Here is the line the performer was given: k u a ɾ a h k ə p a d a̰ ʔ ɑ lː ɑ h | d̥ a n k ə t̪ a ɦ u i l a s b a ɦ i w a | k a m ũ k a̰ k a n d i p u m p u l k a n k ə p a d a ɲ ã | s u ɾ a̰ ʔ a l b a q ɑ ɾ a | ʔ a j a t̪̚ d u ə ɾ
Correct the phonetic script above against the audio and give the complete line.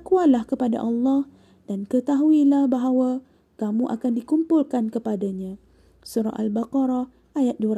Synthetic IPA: k u a l a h k ə p a d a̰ ʔ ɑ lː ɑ h | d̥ a n k ə t̪ a ɦ u i l a h b a ɦ a w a | k a m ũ ʔ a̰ k a n d i k u m p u l k a n k ə p a d a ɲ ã | s u ɾ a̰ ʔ a l b a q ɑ ɾ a | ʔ a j a t̪̚ d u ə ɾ